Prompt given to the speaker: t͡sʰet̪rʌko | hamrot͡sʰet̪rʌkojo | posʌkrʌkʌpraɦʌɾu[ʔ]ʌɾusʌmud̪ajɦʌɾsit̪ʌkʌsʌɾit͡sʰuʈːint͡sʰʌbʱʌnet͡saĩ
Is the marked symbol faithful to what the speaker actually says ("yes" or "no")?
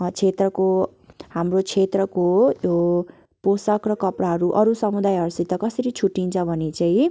yes